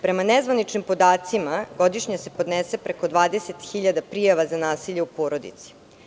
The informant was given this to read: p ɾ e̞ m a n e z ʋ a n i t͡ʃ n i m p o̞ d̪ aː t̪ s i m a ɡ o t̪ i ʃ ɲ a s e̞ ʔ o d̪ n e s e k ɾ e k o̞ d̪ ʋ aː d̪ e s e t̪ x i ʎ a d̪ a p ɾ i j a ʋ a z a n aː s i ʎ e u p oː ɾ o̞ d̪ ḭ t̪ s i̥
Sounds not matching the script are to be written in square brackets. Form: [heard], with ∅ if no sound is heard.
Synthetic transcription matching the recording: p ɾ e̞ m a n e z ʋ a n i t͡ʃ n i m p o̞ d̪ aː t̪ s i m a ɡ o [d̪] i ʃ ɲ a s e̞ [p] o d̪ n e s e [p] ɾ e k o̞ d̪ ʋ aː d̪ e s e t̪ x i ʎ a d̪ a p ɾ i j a ʋ a z a n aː s i ʎ e u p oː ɾ o̞ d̪ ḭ t̪ s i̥

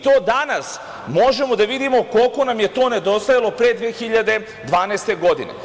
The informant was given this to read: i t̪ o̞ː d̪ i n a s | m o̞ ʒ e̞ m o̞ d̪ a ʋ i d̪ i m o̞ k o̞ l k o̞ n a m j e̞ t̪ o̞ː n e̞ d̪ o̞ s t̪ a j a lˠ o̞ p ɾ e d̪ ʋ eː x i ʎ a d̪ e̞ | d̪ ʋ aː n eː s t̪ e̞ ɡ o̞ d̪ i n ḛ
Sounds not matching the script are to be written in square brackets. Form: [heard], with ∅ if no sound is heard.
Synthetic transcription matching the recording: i t̪ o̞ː d̪ [a] n a s | m o̞ ʒ e̞ m o̞ d̪ a ʋ i d̪ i m o̞ k o̞ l k o̞ n a m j e̞ t̪ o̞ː n e̞ d̪ o̞ s t̪ a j a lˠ o̞ p ɾ e d̪ ʋ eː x i ʎ a d̪ e̞ | d̪ ʋ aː n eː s t̪ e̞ ɡ o̞ d̪ i n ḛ

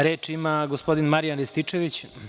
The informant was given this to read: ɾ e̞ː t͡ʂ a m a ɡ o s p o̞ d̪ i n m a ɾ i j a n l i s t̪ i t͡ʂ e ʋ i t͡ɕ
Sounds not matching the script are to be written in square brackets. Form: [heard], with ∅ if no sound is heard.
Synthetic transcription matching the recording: ɾ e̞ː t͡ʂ [i] m a ɡ o s p o̞ d̪ i n m a ɾ i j a n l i s t̪ i t͡ʂ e ʋ i t͡ɕ

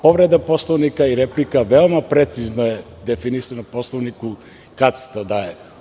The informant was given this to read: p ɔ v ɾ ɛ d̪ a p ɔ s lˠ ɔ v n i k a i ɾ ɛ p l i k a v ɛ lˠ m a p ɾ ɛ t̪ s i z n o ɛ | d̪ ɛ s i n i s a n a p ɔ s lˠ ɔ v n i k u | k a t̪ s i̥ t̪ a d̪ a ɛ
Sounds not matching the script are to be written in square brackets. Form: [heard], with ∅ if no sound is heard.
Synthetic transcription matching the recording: p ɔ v ɾ ɛ d̪ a p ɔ s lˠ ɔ v n i k a i ɾ ɛ p l i k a v ɛ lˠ m a p ɾ ɛ t̪ s i z n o ɛ | d̪ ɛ [f] i n i s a n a p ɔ s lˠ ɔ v n i k u | k a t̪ s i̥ t̪ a d̪ a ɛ

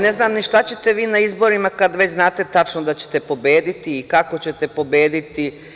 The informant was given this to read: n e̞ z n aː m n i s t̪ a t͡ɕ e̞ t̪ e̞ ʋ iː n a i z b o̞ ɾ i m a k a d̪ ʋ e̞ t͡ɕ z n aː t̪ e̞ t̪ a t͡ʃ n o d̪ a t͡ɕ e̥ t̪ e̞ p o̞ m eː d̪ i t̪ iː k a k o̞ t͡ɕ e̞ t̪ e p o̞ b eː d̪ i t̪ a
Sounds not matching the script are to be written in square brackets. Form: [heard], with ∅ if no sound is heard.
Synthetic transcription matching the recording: n e̞ z n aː m n i [ʃ] t̪ a t͡ɕ e̞ t̪ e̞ ʋ iː n a i z b o̞ ɾ i m a k a d̪ ʋ e̞ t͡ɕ z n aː t̪ e̞ t̪ a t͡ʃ n o d̪ a t͡ɕ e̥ t̪ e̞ p o̞ [b] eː d̪ i t̪ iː k a k o̞ t͡ɕ e̞ t̪ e p o̞ b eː d̪ i t̪ [i]

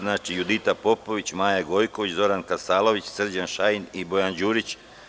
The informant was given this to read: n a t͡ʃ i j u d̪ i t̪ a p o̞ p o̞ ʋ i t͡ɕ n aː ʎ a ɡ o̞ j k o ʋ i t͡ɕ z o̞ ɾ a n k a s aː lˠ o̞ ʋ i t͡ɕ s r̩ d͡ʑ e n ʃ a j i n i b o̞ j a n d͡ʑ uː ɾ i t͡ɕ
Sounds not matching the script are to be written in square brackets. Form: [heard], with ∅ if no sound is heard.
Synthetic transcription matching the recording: n a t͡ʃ i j u d̪ i t̪ a p o̞ p o̞ ʋ i t͡ɕ [m] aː [j] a ɡ o̞ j k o ʋ i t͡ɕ z o̞ ɾ a n k a s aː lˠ o̞ ʋ i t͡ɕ s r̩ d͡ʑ [a] n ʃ a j i n i b o̞ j a n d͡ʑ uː ɾ i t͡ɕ

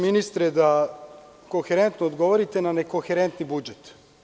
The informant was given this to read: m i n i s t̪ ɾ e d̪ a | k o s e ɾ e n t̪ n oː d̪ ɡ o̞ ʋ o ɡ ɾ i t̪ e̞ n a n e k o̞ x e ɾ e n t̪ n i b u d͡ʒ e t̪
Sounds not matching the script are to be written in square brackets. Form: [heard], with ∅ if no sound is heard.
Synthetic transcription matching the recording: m i n i s t̪ ɾ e d̪ a | k o [x] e ɾ e n t̪ n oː d̪ ɡ o̞ ʋ o [∅] ɾ i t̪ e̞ n a n e k o̞ x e ɾ e n t̪ n i b u d͡ʒ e t̪

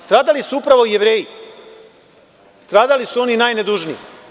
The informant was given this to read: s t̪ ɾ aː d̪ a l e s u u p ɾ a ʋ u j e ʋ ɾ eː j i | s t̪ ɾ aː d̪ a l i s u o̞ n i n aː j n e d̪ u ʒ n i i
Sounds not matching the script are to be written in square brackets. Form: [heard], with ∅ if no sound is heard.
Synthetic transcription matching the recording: s t̪ ɾ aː d̪ a l [i] s u u p ɾ a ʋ [o] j e ʋ ɾ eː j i | s t̪ ɾ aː d̪ a l i s u o̞ n i n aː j n e d̪ u ʒ n i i

